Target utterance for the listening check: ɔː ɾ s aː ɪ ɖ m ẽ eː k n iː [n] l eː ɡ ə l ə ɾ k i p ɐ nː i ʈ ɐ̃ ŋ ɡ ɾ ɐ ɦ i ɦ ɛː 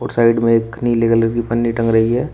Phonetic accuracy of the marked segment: incorrect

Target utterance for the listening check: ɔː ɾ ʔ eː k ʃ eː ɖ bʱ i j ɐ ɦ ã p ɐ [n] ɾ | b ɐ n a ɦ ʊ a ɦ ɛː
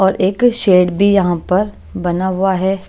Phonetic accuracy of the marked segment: incorrect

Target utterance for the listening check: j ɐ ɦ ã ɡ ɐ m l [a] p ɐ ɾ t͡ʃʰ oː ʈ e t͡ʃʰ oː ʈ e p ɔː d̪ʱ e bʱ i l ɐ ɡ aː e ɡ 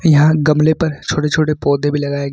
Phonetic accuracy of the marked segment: incorrect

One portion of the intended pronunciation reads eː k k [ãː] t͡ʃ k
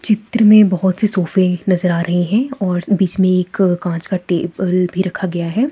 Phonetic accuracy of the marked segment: correct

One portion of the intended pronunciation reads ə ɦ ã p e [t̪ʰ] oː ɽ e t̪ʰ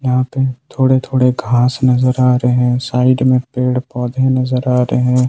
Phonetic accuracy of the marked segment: correct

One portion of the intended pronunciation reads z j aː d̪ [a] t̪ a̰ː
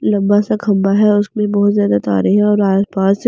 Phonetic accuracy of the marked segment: correct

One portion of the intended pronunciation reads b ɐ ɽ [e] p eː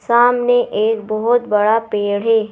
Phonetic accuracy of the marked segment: incorrect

